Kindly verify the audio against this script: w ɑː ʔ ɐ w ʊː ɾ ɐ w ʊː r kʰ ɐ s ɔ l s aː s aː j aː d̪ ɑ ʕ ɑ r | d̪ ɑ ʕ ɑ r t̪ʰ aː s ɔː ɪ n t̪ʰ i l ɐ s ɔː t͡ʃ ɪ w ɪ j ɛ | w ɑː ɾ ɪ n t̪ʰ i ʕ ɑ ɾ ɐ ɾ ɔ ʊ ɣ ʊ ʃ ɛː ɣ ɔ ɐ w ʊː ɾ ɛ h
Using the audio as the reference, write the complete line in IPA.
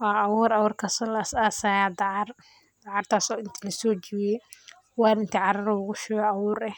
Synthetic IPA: w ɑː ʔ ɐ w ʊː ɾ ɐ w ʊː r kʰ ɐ s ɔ l s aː s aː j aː d̪ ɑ ʕ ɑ r | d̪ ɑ ʕ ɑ r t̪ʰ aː s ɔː ɪ n t̪ʰ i l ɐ s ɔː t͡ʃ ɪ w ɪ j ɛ | w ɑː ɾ ɪ n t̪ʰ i ʕ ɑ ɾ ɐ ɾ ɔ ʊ ɣ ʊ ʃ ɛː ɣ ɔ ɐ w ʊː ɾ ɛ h